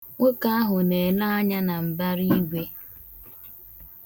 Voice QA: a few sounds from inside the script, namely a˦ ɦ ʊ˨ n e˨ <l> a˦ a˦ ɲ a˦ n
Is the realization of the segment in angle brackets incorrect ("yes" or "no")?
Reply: no